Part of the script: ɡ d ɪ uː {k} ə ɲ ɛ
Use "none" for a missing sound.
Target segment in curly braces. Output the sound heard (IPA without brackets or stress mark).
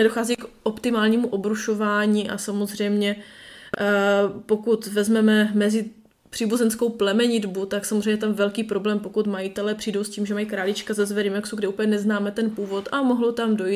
p